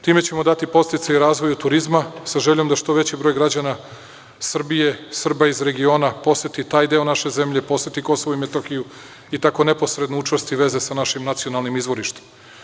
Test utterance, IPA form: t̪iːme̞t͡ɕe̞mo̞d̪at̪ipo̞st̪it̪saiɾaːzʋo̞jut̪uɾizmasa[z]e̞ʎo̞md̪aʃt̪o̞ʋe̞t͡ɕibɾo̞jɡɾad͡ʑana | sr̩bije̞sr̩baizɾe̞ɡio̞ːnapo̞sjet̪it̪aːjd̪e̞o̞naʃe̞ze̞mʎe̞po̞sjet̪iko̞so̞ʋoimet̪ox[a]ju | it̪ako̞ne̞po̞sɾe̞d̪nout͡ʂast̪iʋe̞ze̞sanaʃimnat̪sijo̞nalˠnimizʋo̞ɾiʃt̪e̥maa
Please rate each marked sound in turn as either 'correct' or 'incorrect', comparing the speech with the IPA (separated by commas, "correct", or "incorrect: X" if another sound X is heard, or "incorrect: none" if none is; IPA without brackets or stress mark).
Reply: incorrect: ʒ, incorrect: i